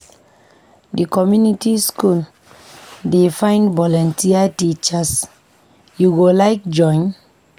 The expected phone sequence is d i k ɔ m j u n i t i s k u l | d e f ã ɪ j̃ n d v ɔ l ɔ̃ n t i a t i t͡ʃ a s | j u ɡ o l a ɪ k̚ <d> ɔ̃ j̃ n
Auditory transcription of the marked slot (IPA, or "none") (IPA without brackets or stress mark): d͡ʒ